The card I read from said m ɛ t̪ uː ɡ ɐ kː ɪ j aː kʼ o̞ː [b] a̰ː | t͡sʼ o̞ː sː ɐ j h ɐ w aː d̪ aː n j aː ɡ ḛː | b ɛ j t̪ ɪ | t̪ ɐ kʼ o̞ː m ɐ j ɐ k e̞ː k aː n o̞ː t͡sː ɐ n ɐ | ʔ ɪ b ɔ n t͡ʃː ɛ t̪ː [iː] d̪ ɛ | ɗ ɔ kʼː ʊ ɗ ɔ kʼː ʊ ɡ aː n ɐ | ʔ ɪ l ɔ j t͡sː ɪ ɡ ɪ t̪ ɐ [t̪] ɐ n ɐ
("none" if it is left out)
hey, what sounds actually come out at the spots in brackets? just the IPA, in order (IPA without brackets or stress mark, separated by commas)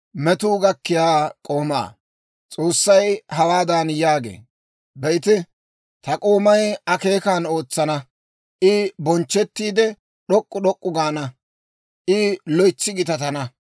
m, iː, t̪